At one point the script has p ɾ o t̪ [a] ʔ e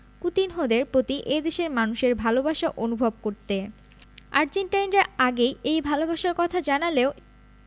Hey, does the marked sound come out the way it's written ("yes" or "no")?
no